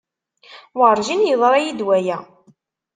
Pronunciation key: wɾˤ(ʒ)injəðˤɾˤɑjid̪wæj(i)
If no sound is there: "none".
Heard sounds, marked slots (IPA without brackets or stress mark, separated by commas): ʒ, æ